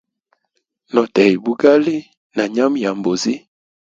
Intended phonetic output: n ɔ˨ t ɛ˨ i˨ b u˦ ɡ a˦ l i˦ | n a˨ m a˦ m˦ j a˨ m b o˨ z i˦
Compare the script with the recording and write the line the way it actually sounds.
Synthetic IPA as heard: n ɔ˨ t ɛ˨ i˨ b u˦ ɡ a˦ l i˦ | n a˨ ɲ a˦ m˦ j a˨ m b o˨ z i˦

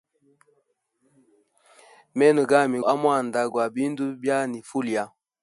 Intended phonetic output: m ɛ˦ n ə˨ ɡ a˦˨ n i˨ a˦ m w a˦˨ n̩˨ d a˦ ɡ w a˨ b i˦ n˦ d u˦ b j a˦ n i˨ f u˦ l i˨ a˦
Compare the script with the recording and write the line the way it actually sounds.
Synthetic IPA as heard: m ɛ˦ n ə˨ ɡ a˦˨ m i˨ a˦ m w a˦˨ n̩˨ d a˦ ɡ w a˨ b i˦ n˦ d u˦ b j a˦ n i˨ f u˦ l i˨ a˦

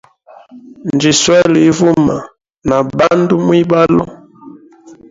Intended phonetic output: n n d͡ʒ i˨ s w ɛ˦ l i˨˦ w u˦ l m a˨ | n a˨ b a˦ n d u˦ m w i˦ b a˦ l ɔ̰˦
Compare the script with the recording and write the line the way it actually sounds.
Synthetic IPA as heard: n n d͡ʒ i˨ s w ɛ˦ l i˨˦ v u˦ m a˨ | n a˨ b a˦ n d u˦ m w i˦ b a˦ l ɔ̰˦

